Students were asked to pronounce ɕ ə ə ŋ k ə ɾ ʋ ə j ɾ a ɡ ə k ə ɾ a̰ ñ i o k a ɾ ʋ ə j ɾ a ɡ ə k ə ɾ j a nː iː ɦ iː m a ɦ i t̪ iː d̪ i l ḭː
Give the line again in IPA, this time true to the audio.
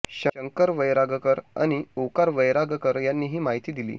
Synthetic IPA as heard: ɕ ə ə ŋ k ə ɾ ʋ ə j ɾ a ɡ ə k ə ɾ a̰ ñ i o k a ɾ ʋ ə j ɾ a ɡ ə k ə ɾ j a nː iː ɦ iː m a ɦ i t̪ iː d̪ i l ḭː